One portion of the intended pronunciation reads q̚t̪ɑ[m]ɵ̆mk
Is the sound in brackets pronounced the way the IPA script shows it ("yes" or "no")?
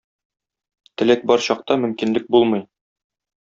yes